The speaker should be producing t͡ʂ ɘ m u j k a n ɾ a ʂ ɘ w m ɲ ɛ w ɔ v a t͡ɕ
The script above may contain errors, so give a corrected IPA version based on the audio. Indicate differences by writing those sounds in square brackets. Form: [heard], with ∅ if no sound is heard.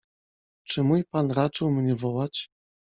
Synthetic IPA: t͡ʂ ɘ m u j [p] a n ɾ a [t͡ʂ] ɘ w m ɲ ɛ [v] ɔ [w] a t͡ɕ